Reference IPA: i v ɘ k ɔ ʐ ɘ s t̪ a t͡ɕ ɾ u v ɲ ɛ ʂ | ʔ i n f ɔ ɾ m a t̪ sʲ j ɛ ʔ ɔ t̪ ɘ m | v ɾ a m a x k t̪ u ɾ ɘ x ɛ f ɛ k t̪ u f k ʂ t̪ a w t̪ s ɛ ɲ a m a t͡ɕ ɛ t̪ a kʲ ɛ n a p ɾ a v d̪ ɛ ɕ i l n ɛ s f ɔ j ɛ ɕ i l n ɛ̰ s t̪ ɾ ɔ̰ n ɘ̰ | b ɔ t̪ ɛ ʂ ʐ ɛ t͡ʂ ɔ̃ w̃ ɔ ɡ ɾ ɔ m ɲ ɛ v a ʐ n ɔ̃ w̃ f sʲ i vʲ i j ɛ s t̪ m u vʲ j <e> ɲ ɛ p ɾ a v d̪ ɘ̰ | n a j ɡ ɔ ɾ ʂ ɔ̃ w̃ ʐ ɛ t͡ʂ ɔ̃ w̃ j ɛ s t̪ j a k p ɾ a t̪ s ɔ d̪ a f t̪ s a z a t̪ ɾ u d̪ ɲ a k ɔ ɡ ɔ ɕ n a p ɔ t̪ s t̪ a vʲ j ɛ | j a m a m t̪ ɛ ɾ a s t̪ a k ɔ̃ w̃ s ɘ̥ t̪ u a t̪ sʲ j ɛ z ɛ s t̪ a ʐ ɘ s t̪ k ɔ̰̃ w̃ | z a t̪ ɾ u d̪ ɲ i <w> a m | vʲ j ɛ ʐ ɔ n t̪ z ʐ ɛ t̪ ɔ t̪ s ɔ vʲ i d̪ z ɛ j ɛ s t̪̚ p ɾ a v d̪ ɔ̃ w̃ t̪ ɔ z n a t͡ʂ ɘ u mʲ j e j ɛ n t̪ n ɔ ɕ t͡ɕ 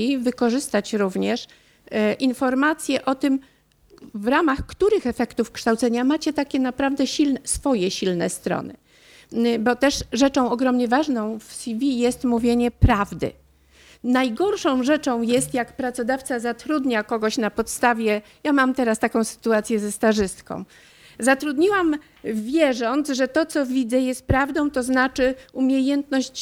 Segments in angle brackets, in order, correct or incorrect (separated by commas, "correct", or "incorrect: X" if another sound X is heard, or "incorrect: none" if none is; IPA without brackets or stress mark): correct, correct